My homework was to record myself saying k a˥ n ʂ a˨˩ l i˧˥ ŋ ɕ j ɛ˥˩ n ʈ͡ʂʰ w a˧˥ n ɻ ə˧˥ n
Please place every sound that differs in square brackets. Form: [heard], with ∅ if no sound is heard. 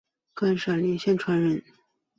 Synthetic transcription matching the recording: k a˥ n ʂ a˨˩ l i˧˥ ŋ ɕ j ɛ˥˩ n ʈ͡ʂʰ w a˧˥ n ɻ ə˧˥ n